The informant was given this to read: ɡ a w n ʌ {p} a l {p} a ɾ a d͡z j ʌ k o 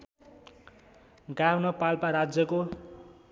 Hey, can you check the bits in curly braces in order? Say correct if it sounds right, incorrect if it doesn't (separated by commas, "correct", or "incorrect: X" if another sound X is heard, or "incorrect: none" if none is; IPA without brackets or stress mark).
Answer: correct, correct